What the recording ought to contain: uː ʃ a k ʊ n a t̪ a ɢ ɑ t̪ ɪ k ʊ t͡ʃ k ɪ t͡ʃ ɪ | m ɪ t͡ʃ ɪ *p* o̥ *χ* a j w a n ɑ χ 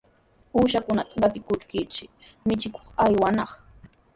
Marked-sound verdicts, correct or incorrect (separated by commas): incorrect, correct